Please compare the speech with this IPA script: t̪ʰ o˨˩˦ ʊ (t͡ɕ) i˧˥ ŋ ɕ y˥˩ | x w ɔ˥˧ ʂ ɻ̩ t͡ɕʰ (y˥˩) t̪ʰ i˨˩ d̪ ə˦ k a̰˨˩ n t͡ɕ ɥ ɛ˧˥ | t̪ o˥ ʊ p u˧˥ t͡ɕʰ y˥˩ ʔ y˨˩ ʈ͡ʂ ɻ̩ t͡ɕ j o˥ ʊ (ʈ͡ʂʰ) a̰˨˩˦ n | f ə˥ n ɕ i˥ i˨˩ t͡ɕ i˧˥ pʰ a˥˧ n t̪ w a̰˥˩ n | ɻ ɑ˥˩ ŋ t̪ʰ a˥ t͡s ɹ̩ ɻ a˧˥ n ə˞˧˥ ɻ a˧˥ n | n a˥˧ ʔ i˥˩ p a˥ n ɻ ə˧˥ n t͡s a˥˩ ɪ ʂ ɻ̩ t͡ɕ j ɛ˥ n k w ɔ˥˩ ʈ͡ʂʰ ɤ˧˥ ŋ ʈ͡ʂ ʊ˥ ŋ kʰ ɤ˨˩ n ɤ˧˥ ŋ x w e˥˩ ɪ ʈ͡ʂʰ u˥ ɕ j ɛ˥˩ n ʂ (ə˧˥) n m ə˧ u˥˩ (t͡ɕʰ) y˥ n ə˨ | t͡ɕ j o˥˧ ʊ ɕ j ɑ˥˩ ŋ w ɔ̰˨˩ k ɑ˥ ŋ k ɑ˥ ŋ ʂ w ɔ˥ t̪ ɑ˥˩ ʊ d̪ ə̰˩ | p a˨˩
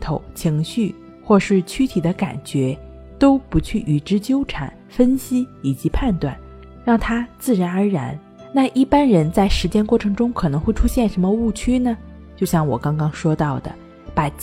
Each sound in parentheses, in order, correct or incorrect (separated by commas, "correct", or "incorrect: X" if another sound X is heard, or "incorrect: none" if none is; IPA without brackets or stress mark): incorrect: t͡ɕʰ, incorrect: y˥, correct, correct, correct